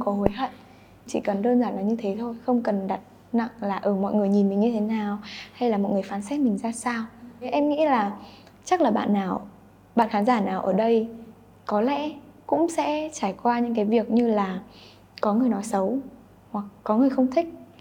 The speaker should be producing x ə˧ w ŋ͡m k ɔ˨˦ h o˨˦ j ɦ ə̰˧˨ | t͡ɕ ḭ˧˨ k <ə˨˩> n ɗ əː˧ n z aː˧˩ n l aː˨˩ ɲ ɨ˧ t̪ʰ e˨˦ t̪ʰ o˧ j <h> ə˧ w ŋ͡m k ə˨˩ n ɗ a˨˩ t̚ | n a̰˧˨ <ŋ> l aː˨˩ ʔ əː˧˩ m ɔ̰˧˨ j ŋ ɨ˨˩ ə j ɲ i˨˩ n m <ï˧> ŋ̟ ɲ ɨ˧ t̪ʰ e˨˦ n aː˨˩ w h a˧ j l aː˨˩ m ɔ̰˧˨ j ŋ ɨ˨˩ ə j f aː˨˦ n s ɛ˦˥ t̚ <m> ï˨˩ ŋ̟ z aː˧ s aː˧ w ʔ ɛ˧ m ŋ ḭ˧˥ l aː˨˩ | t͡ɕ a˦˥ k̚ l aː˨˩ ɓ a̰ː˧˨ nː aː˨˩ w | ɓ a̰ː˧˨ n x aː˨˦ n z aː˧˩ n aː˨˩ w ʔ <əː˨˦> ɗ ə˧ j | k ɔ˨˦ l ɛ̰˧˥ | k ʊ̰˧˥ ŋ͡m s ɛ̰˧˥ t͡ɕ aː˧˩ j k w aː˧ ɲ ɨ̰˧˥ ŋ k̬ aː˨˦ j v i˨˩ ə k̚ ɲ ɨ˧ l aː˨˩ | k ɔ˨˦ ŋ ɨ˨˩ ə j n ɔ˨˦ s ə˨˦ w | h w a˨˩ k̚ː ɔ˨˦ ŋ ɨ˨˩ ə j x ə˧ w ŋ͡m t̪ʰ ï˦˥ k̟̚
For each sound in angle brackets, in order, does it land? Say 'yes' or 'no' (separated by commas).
yes, no, yes, no, yes, no